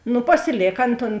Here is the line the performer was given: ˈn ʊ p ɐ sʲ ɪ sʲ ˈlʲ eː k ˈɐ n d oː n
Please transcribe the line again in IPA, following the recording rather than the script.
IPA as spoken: ˈn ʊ p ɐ sʲ ɪ ˈlʲ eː k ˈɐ n t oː n